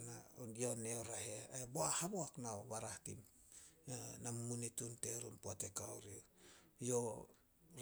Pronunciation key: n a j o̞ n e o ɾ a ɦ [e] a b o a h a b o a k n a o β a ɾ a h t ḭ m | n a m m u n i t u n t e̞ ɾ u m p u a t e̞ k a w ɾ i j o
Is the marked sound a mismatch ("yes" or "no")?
no